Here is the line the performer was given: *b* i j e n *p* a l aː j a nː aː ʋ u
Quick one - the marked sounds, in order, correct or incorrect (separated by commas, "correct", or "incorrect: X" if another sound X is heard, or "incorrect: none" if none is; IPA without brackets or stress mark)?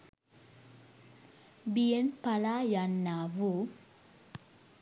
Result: correct, correct